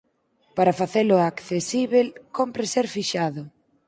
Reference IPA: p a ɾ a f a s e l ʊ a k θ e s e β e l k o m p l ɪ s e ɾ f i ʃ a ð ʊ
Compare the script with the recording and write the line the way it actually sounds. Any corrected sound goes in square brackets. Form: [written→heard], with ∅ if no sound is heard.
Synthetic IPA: p a ɾ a f a [s→θ] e l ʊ a k θ e s [e→i] β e l k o m p [l→ɾ] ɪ s e ɾ f i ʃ a ð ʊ

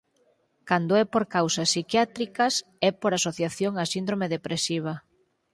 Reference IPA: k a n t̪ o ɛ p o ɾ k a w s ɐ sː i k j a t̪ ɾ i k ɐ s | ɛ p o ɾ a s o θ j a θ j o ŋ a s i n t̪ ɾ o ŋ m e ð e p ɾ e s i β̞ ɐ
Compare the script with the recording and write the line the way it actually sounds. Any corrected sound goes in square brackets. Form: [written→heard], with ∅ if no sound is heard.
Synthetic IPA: k a n [t̪→d̪] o ɛ p o ɾ k a w s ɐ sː i k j a t̪ ɾ i k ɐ s | ɛ p o ɾ a s o θ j a θ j o ŋ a s i n [t̪→d̪] ɾ o [ŋ→∅] m e ð e p ɾ e s i β̞ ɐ

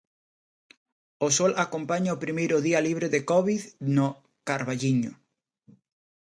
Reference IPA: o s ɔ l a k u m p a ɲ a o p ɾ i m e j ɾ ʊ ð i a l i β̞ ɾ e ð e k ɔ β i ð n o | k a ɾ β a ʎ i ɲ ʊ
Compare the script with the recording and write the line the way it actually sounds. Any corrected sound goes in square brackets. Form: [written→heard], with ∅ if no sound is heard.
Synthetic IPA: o s ɔ l a k [u→o] m p a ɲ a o p ɾ i m e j ɾ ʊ ð i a l i β̞ ɾ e ð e k ɔ β i ð n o | k a ɾ β a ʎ i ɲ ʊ

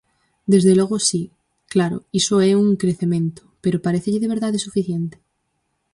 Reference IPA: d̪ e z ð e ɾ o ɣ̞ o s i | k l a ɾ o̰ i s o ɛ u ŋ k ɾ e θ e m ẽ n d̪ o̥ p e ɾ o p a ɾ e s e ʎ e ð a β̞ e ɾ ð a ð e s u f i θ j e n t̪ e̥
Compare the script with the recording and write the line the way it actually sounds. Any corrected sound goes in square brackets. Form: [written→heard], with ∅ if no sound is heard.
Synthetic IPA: d̪ e z ð e [ɾ→l] o ɣ̞ o s i | k l a ɾ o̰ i s o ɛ u ŋ k ɾ e θ e m ẽ n [d̪→t̪] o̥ p e ɾ o p a ɾ e [s→θ] e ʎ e ð [a→e] β̞ e ɾ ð a ð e s u f i θ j e n t̪ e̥

